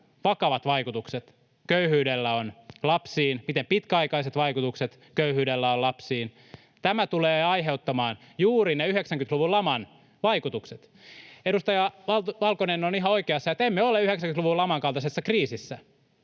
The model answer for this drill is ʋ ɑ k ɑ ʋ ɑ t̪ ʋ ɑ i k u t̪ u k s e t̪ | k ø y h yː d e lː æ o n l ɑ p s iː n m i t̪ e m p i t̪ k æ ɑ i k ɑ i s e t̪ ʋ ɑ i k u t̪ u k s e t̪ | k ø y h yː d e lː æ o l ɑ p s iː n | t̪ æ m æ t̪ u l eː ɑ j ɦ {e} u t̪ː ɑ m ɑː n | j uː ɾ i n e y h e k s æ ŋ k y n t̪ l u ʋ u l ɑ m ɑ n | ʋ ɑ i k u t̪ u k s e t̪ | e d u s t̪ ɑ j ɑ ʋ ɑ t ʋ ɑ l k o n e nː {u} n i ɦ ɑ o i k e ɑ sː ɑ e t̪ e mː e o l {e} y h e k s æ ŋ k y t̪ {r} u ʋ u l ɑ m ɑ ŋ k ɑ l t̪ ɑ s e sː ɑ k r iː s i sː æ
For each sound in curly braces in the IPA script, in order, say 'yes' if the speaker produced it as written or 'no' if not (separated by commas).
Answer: yes, no, yes, no